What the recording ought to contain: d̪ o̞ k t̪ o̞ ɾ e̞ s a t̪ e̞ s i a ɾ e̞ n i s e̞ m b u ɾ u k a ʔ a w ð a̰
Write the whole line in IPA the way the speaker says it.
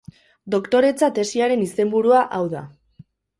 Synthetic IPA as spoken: d̪ o̞ k t̪ o̞ ɾ e̞ t͡s a t̪ e̞ s i a ɾ e̞ n i s e̞ m b u ɾ u a ʔ a w ð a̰

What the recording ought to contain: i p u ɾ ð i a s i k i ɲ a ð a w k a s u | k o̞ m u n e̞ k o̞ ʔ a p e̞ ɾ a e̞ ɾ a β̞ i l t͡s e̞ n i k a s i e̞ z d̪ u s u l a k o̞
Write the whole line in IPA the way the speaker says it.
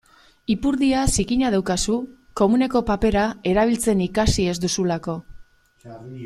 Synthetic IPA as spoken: i p u ɾ ð i a s i k i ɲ a ð a w k a s u | k o̞ m u n e̞ k o̞ p a p e̞ ɾ a e̞ ɾ a β̞ i l t͡s e̞ n i k a s i e̞ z d̪ u s u l a k o̞

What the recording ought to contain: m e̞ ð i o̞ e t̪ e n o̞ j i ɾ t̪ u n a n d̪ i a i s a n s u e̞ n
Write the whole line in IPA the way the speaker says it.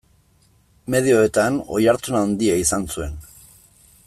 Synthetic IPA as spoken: m e̞ ð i o̞ e t̪ a n o̞ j a ɾ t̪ u n a n d̪ i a i s a n s u e̞ n

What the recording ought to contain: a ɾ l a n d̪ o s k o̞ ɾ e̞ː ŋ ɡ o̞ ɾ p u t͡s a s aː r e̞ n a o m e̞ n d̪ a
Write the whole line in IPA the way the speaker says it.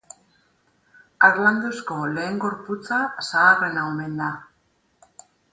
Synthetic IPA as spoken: a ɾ l a n d̪ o s k o̞ l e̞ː ŋ ɡ o̞ ɾ p u t͡s a s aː r e̞ n a o m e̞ n d̪ a

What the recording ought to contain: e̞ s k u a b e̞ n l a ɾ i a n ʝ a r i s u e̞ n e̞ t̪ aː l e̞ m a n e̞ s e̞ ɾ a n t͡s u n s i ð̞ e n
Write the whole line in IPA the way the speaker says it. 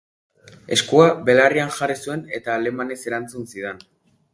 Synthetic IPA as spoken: e̞ s k u a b e̞ l a r i a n ʝ a r i s u e̞ n e̞ t̪ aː l e̞ m a n e̞ s e̞ ɾ a n t͡s u n s i ð̞ e n

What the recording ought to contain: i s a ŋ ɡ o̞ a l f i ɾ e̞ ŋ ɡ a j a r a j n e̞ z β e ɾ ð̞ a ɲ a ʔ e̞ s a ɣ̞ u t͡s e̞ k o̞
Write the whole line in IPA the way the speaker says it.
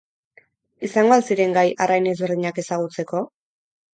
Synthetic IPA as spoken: i s a ŋ ɡ o̞ a l s i ɾ e̞ ŋ ɡ a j a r a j n e̞ z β e ɾ ð̞ i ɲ a k e̞ s a ɣ̞ u t͡s e̞ k o̞

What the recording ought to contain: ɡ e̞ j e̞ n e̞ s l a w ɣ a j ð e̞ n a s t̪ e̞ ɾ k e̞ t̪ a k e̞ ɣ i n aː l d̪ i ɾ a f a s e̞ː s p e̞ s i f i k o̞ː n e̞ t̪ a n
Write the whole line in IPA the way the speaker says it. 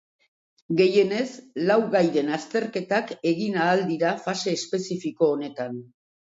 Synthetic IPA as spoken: ɡ e̞ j e̞ n e̞ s l a w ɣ a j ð e̞ n a s t̪ e̞ ɾ k e̞ t̪ a k e̞ ɣ i n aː l d̪ i ɾ a f a s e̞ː s p e̞ s i f i k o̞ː n e̞ t̪ a n

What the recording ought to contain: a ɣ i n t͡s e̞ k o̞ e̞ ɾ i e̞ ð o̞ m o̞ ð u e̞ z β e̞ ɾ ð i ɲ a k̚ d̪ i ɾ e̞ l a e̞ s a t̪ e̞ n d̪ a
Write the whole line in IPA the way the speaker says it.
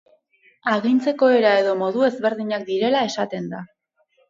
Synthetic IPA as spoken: a ɣ i n t͡s e̞ k o̞ e̞ ɾ a e̞ ð o̞ m o̞ ð u e̞ z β e̞ ɾ ð i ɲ a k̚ d̪ i ɾ e̞ l a e̞ s a t̪ e̞ n d̪ a

